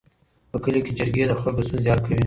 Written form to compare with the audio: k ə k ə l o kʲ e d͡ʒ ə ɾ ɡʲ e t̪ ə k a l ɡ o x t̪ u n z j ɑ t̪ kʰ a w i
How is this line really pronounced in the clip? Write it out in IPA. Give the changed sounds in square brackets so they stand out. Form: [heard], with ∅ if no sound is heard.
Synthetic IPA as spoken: [p] ə k ə l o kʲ e d͡ʒ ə ɾ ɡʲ e [d̪] ə [x] a l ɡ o [s] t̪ u n z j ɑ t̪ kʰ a w i